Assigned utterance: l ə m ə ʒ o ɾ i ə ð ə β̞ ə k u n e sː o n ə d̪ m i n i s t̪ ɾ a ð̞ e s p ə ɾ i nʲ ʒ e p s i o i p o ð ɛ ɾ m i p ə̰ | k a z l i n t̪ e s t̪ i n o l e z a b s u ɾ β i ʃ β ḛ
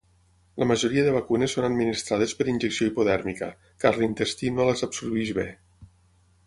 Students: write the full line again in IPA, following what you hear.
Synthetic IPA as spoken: l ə m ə ʒ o ɾ i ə ð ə β̞ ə k u n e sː o n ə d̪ m i n i s t̪ ɾ a ð̞ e s p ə ɾ i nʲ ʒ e k s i o i p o ð ɛ ɾ m i k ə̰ | k a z l i n t̪ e s t̪ i n o l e z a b s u ɾ β i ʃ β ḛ